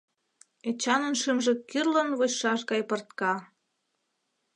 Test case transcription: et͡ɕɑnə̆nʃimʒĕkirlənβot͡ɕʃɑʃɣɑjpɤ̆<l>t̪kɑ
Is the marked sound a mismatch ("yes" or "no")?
yes